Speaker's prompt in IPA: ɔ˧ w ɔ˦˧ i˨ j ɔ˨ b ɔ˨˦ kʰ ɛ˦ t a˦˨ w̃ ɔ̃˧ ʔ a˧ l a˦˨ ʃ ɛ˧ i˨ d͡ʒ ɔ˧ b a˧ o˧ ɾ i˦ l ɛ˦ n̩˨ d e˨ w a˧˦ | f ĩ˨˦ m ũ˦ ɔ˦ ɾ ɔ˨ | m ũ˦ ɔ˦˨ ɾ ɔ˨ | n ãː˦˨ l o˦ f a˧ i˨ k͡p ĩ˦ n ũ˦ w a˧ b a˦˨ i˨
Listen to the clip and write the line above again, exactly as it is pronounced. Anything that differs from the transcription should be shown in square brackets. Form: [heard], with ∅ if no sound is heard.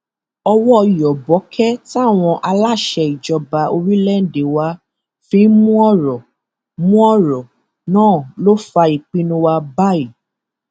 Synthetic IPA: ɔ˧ w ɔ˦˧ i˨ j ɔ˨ b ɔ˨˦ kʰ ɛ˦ t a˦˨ w̃ ɔ̃˧ ʔ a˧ l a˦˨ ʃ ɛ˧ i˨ d͡ʒ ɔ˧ b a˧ o˧ ɾ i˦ l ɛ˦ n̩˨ d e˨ w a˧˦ | f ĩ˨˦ m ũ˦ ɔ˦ ɾ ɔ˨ | m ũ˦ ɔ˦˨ ɾ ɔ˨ | n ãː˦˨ l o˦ f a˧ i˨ k͡p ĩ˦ n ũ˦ w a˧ b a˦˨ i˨